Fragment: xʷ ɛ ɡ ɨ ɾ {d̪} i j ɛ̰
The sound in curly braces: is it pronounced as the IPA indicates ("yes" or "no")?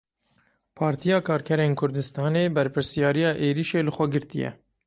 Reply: no